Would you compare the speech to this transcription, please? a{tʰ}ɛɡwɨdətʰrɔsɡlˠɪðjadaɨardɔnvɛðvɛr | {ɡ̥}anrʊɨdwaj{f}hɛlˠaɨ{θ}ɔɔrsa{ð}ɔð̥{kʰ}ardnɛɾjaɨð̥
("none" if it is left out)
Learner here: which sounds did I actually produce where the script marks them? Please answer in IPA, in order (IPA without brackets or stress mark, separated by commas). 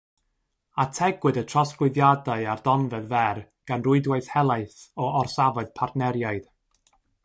tʰ, ɡ̥, θ, θ, v, pʰ